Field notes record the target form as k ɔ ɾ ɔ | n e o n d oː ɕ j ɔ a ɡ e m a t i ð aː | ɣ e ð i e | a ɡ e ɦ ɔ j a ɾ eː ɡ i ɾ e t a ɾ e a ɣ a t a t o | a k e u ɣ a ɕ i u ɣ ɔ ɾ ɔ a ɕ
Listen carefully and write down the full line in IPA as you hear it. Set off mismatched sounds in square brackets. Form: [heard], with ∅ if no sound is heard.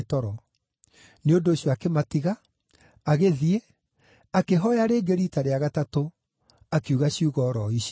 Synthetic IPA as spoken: [t] ɔ ɾ ɔ | n e o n d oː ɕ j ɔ a [k] e m a t i [ɣ] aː | ɣ e ð i e | a [k] e ɦ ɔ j a ɾ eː ɡ [e] ɾ [i] t a ɾ e a ɣ a t a t o | a k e u ɣ a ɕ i u ɣ ɔ ɾ ɔ [i] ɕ